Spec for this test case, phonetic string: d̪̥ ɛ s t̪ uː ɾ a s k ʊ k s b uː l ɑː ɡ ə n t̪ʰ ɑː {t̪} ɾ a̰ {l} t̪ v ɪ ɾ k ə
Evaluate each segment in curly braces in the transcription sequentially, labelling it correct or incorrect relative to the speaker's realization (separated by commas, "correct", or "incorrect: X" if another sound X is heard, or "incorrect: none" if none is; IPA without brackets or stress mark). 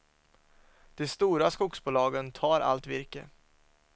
incorrect: none, correct